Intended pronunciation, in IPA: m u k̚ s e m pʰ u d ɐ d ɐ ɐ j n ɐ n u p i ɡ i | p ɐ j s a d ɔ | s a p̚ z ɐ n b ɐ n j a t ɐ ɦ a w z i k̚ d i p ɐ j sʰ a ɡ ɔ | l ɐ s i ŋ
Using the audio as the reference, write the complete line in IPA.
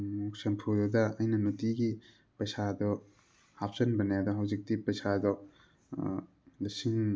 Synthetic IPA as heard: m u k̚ s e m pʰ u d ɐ d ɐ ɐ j n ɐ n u t i ɡ i | p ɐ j s a d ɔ | h a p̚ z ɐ n b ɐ n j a d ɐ ɦ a w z i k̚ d i p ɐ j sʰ a d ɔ | l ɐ s i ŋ

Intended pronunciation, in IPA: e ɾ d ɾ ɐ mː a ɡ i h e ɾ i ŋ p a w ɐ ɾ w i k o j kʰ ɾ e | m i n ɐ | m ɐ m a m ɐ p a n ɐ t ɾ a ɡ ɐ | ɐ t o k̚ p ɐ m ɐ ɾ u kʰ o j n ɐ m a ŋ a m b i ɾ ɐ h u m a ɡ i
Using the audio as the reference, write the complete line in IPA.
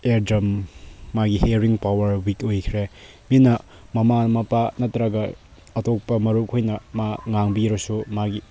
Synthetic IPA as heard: e ɾ d ɾ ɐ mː a ɡ i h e ɾ i ŋ p a w ɐ ɾ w i k o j kʰ ɾ e | m i n ɐ | m ɐ m a m ɐ p a n ɐ t ɾ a ɡ ɐ | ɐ t o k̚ p ɐ m ɐ ɾ u kʰ o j n ɐ m a ŋ a ŋ b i ɾ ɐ s u m a ɡ i

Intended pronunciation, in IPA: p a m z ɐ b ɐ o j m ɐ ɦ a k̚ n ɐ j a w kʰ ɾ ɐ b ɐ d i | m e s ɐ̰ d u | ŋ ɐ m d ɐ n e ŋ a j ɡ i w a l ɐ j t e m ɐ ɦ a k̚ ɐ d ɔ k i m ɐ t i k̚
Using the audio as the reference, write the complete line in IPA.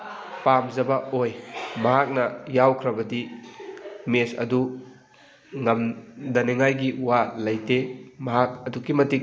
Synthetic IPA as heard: p a m z ɐ b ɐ o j m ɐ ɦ a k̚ n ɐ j a w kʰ ɾ ɐ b ɐ d i | m e s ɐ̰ d u | ŋ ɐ m d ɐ n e ŋ a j ɡ i w a l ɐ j t e m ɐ ɦ a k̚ ɐ d u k i m ɐ t i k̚

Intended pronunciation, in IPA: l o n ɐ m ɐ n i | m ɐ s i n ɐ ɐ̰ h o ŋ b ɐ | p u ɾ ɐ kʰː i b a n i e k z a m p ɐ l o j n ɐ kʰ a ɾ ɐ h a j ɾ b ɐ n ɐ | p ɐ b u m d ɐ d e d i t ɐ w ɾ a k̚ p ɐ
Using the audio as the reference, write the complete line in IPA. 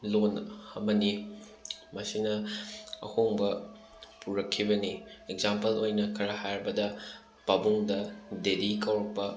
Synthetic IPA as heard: l o n ɐ m ɐ n i | m ɐ s i n ɐ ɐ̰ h o ŋ b ɐ | p u ɾ ɐ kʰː i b ɐ n i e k z a m p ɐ l o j n ɐ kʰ ɐ ɾ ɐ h a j ɾ b ɐ d ɐ | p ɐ b u ŋ d ɐ d e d i k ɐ w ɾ ɐ k̚ p ɐ

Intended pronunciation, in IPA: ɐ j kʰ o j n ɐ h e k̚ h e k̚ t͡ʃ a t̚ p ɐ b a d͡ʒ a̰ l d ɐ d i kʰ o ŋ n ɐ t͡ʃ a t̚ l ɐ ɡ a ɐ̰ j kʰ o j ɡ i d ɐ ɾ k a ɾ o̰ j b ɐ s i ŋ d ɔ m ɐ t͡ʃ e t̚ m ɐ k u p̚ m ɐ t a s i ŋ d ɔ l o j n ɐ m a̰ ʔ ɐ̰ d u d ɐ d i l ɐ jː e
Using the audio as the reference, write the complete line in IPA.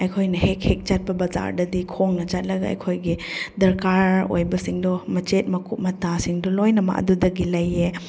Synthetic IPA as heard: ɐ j kʰ o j n ɐ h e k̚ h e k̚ t͡ʃ a t̚ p ɐ b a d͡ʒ a̰ ɾ d ɐ d i kʰ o ŋ n ɐ t͡ʃ a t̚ l ɐ ɡ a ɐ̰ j kʰ o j ɡ i d ɐ ɾ k a ɾ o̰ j b ɐ s i ŋ d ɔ m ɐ t͡ʃ e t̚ m ɐ k u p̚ m ɐ t a s i ŋ d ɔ l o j n ɐ m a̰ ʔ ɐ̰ d u d ɐ ɡ i l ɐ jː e

